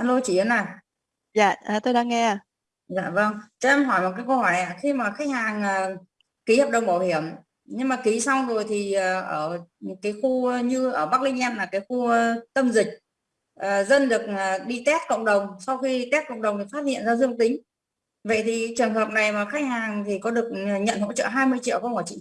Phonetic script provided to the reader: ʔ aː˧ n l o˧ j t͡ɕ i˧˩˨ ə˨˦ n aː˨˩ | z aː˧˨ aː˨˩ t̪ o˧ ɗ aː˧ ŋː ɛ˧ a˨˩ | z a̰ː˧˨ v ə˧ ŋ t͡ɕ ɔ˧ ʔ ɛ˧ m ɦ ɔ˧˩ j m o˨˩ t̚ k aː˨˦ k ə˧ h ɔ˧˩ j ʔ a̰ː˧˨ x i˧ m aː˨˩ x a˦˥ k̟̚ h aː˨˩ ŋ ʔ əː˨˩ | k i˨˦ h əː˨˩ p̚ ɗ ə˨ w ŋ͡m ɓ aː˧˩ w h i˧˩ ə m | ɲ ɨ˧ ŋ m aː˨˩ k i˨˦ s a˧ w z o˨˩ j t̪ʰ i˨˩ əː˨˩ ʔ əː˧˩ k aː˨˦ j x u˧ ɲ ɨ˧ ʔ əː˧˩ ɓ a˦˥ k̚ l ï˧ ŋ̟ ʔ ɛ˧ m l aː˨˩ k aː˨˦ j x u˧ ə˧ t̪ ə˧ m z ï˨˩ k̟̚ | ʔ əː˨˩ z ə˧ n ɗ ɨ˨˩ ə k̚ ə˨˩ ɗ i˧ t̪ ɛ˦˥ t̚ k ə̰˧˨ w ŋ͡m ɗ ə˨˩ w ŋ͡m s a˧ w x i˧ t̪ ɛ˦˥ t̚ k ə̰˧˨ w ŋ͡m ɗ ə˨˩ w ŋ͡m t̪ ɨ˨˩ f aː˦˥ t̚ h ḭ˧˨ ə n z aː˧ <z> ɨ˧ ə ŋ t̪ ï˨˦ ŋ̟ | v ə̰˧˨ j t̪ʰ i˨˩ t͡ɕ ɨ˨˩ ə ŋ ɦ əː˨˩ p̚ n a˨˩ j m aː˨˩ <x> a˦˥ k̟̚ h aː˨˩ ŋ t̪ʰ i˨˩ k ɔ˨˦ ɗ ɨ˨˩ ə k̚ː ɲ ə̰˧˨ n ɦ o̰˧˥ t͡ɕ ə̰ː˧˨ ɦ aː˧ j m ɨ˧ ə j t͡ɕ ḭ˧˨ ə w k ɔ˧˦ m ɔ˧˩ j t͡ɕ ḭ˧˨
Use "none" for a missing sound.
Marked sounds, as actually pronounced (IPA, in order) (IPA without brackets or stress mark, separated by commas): z, x